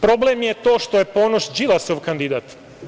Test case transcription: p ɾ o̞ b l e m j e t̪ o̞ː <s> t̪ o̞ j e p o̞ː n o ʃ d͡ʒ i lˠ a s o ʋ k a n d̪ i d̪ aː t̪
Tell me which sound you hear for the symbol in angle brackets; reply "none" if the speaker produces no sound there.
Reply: ʃ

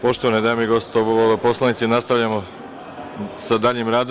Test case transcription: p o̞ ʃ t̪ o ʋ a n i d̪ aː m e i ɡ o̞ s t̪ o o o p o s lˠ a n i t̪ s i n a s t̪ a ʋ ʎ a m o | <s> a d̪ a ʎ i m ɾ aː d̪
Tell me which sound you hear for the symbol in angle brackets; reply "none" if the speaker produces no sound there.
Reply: s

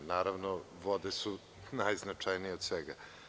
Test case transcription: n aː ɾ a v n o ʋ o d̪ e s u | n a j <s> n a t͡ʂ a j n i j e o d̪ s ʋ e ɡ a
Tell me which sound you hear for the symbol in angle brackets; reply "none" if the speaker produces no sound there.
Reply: z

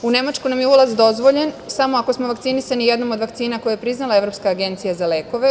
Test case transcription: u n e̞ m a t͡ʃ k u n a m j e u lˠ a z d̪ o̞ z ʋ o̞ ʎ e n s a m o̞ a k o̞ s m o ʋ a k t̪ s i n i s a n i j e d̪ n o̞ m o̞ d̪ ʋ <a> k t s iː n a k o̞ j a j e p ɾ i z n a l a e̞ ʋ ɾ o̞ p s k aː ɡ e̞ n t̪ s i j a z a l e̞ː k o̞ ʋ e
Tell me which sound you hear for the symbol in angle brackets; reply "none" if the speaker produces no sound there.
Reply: a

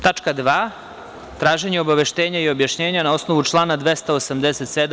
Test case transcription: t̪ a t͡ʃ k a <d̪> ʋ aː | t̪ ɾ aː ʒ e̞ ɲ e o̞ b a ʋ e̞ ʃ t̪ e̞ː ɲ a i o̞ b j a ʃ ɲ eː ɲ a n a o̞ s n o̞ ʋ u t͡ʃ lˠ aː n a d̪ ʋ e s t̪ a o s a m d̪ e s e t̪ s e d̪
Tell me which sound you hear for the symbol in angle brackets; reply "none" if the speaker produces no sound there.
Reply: d̪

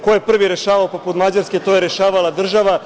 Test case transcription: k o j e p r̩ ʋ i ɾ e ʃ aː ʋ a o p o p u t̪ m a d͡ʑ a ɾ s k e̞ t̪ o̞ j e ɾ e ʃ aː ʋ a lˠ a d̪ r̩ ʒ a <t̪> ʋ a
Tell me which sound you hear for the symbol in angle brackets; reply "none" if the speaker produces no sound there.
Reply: none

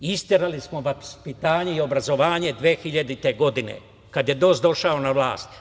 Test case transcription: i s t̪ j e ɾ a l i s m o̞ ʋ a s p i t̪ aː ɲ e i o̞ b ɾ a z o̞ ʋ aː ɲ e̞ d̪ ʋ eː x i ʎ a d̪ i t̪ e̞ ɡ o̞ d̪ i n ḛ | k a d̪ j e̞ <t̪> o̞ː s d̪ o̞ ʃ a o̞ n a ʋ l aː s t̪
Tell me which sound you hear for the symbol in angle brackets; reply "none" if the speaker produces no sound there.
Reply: d̪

